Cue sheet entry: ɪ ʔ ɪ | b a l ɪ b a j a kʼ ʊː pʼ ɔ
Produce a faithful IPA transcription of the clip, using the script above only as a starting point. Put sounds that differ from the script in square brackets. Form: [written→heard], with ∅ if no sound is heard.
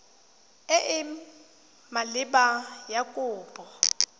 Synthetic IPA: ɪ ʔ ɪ | [b→m] a l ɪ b a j a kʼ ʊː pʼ ɔ